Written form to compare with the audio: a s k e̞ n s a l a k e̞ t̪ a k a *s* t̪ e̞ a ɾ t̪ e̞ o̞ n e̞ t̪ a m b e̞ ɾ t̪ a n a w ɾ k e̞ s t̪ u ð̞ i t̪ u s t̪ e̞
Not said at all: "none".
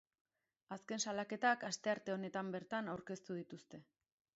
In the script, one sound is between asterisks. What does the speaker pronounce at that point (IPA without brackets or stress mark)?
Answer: s